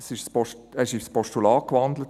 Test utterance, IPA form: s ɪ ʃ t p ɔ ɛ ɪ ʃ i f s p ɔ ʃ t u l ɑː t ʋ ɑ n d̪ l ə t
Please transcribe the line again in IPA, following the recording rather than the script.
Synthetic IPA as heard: s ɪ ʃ s p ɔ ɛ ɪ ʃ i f s p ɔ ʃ t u l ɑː k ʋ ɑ n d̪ l ə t